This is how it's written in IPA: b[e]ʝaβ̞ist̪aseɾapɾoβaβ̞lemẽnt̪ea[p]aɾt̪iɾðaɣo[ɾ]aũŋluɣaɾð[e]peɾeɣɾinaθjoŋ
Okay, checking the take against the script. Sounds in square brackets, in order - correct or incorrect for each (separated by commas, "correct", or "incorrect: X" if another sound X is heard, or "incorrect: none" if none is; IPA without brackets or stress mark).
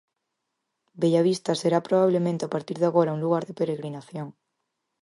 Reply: correct, correct, correct, correct